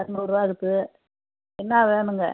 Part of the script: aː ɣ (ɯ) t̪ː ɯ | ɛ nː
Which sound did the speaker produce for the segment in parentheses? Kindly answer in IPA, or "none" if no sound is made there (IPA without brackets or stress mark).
ɯ